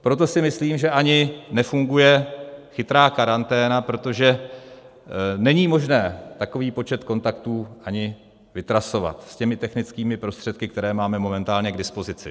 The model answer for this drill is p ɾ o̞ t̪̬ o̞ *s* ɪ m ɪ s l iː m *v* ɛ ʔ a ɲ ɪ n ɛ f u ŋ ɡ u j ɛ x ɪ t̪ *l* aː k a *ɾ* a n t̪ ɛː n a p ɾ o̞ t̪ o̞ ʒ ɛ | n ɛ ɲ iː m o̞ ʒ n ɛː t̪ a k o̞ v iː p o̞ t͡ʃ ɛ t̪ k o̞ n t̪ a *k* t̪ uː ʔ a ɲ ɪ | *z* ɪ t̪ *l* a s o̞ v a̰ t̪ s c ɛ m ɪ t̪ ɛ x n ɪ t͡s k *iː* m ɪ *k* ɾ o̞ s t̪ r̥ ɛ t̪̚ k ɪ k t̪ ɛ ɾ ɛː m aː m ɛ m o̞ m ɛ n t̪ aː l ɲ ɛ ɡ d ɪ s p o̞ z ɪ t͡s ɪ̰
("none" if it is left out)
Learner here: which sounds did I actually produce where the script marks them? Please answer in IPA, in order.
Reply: s, ʒ, ɾ, ɾ, k, v, ɾ, iː, p

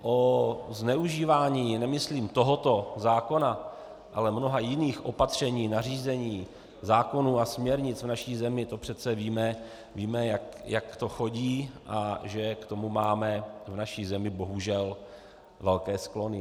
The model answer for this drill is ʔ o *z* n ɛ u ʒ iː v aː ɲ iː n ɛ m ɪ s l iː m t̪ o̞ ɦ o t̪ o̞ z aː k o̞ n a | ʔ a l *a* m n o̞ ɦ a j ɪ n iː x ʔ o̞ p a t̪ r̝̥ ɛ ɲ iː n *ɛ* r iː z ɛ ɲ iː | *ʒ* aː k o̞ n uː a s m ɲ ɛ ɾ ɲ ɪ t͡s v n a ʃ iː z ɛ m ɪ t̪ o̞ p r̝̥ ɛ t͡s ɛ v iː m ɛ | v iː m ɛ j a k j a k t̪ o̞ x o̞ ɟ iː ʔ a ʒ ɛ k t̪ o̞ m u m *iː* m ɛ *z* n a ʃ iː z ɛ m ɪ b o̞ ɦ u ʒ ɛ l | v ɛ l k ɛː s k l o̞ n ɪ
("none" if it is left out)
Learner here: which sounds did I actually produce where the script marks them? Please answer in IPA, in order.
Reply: z, ɛ, a, z, aː, v

